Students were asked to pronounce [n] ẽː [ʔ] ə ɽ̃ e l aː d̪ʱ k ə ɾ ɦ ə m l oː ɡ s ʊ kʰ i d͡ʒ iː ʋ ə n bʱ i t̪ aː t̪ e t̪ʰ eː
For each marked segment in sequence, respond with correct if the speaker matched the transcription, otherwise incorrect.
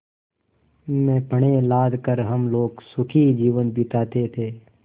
incorrect: m, incorrect: p

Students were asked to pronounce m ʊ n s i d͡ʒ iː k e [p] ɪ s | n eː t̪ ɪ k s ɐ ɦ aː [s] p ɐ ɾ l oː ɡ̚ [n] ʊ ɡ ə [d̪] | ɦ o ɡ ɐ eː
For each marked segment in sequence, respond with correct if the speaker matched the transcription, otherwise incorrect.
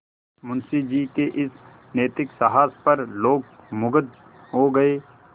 incorrect: ʔ, correct, incorrect: m, correct

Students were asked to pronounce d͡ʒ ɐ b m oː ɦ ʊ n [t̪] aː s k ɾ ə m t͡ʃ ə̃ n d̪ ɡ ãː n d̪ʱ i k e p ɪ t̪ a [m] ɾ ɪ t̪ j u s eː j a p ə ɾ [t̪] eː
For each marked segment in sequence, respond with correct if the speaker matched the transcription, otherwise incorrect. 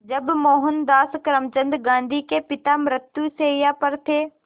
incorrect: d̪, correct, incorrect: t̪ʰ

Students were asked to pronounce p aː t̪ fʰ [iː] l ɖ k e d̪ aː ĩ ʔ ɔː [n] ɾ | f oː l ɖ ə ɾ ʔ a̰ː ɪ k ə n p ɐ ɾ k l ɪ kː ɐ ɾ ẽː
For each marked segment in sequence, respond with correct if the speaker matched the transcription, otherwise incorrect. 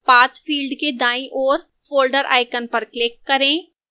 correct, incorrect: none

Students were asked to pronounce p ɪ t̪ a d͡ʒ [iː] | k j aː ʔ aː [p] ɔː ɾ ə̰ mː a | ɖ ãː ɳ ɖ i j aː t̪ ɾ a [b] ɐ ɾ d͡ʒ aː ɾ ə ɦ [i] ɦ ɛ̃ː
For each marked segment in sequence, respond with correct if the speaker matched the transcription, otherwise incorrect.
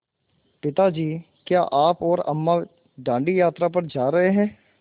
correct, correct, incorrect: p, incorrect: e

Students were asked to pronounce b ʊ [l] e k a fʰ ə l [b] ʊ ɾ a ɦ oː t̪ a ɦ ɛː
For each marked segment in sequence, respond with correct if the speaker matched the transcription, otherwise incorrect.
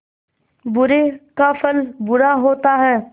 incorrect: ɾ, correct

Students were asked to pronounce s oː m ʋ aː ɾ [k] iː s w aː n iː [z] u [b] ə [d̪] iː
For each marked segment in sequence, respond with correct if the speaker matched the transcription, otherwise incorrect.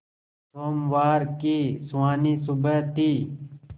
correct, incorrect: s, correct, incorrect: t̪

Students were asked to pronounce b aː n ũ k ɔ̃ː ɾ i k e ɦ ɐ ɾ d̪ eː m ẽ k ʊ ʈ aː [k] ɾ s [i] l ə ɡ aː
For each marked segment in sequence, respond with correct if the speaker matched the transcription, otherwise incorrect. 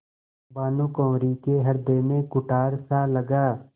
incorrect: none, incorrect: a

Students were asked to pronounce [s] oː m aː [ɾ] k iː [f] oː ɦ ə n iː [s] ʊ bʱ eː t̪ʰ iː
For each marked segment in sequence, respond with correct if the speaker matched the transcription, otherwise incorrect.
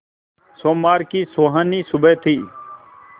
correct, correct, incorrect: s, correct

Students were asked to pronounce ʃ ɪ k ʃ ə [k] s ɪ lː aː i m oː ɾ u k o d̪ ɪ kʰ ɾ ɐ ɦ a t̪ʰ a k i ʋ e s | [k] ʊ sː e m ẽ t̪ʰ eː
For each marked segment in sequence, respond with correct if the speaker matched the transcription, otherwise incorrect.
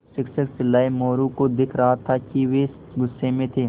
correct, incorrect: ɡ

